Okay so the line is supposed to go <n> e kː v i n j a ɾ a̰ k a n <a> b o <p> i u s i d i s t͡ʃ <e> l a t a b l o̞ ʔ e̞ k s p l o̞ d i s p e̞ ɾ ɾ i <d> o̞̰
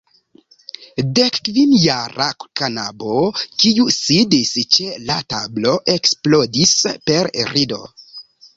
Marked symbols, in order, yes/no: no, yes, no, yes, yes

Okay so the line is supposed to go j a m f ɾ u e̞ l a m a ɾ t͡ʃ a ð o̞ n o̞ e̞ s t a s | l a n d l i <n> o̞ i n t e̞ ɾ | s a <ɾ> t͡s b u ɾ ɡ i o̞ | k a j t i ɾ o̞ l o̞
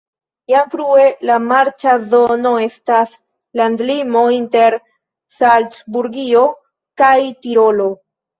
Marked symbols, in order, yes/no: no, no

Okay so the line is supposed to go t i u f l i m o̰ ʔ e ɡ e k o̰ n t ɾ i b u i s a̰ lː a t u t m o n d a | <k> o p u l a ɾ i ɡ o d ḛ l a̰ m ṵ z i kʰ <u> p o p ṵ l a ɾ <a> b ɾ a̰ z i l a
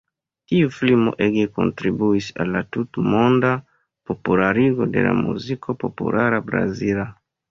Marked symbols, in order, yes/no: no, no, yes

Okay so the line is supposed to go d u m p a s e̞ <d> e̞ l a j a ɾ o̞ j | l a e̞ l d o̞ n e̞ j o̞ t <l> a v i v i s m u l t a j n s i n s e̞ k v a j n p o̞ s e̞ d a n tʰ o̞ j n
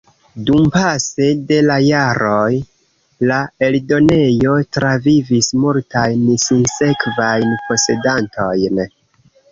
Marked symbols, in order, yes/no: yes, no

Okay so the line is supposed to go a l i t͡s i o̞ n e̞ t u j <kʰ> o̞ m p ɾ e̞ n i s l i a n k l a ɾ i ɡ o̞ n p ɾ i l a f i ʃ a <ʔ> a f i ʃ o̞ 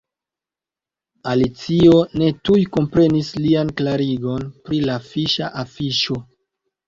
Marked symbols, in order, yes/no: no, yes

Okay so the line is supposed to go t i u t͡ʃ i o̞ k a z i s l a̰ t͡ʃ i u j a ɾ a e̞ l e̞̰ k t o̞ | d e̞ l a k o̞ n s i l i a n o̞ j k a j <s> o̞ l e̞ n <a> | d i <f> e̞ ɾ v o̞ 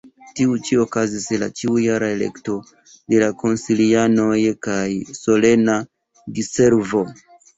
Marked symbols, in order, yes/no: yes, yes, no

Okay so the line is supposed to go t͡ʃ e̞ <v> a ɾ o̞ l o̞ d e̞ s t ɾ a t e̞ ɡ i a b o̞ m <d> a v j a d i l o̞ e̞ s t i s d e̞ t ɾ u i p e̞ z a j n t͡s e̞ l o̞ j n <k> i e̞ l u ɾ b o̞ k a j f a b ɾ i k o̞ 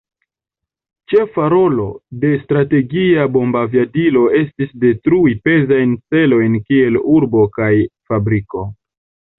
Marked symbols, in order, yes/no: no, no, yes

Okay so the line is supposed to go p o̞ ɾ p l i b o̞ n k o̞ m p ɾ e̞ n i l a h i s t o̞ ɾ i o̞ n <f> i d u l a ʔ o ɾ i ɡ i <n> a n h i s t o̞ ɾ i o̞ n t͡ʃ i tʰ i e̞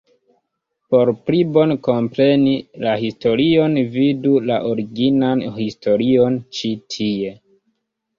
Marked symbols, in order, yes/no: no, yes

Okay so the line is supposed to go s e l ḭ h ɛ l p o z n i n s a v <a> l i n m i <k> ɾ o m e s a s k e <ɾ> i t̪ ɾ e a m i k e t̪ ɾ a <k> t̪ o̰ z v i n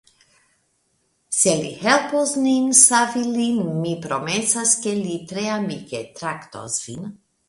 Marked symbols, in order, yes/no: no, no, no, yes

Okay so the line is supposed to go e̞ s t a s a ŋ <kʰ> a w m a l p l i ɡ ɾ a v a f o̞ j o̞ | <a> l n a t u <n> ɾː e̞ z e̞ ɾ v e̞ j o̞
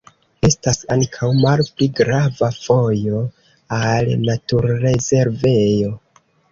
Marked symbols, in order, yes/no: yes, yes, no

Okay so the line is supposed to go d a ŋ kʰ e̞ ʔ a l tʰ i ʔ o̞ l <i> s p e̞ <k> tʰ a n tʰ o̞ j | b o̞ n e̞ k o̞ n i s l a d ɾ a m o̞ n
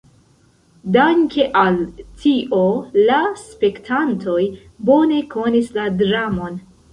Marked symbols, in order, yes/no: no, yes

